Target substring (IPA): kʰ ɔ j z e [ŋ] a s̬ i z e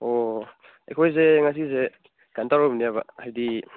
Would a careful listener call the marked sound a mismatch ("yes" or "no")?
no